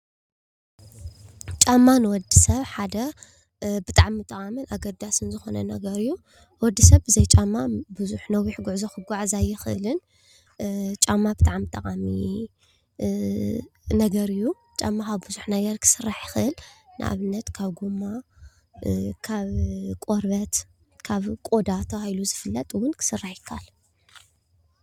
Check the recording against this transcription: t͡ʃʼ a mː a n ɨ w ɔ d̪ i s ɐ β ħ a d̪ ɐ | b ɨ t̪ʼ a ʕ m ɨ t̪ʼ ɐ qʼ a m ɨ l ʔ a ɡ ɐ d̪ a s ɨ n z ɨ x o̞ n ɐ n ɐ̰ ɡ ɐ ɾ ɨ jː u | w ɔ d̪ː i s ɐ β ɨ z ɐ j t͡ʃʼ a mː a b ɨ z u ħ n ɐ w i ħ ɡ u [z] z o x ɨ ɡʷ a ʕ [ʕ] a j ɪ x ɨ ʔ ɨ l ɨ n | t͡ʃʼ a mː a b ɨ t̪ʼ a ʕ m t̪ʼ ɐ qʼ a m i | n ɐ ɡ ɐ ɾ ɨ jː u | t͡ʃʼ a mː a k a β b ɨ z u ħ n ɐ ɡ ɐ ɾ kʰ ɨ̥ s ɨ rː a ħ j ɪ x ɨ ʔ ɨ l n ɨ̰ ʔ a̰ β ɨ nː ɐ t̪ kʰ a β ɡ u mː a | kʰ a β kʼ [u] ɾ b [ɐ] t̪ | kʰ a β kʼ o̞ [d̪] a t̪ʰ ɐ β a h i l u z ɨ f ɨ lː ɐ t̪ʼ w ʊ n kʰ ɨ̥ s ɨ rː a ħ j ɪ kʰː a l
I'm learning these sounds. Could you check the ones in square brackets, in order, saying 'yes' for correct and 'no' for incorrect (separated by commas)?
no, no, no, yes, yes